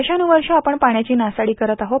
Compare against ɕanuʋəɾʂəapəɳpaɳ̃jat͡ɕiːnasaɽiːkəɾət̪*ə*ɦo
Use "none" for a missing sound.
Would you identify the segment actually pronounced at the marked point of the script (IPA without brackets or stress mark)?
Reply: a